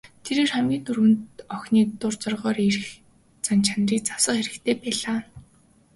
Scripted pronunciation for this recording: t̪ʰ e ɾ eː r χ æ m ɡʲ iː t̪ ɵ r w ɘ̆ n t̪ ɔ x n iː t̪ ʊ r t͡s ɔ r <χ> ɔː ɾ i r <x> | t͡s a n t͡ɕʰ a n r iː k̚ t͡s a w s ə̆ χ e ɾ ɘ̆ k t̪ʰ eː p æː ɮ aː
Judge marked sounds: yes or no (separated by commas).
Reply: no, yes